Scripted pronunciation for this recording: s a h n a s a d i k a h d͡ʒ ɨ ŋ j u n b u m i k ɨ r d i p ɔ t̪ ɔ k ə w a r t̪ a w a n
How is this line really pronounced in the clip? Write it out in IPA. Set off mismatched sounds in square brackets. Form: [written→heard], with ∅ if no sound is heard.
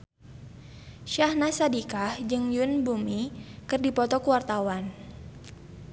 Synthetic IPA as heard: [s→ʃ] a h n a s a d i k a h d͡ʒ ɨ ŋ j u n b u m i k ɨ r d i p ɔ t̪ ɔ k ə w a r t̪ a w a n